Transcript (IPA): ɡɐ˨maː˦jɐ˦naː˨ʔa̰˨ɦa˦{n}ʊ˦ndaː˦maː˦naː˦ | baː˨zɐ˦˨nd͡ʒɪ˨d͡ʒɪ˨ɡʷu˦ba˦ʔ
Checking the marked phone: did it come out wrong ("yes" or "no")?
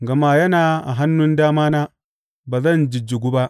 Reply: yes